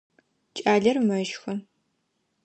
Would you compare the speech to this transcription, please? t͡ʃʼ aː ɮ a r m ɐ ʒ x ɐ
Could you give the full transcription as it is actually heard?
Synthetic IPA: t͡ʃʼ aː ɮ ɐ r m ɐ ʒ x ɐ

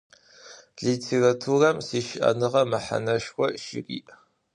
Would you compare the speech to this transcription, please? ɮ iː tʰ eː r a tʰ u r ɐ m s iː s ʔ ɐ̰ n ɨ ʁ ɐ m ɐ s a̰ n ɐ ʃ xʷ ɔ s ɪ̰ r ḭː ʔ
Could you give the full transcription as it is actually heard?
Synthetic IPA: ɮ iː tʰ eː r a tʰ u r ɐ m s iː ʃ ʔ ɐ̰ n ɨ ʁ ɐ m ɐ ħ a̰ n ɐ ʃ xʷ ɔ ʃ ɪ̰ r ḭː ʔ

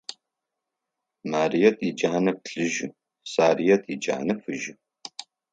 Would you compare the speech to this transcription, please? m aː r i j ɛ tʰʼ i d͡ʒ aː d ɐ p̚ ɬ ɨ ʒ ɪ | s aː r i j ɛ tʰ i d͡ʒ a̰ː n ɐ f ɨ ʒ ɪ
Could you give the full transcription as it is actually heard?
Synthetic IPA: m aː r i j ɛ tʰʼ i d͡ʒ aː n ɐ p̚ ɬ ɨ ʒ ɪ | s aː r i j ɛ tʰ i d͡ʒ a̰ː n ɐ f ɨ ʒ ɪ

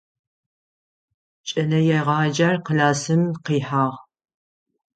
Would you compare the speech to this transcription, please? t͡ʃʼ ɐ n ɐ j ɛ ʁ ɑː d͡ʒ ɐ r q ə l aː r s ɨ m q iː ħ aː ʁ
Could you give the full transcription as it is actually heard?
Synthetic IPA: t͡ʃʼ ɐ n ɐ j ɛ ʁ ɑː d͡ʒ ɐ r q ə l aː s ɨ m q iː ħ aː ʁ

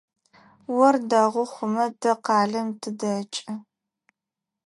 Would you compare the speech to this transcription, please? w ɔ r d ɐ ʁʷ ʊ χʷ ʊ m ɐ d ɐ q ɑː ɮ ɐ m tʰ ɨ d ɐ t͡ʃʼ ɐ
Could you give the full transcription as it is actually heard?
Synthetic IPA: w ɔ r d ɐ ʁʷ ʊ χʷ ʊ m ɐ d ɐ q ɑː ɮ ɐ m tʰ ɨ d ɐ t͡ʃʼ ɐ

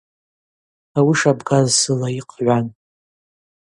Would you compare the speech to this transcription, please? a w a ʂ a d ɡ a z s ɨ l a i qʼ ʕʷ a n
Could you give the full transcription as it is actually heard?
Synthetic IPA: a w i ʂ a b ɡ a z s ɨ l a i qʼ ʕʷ a n

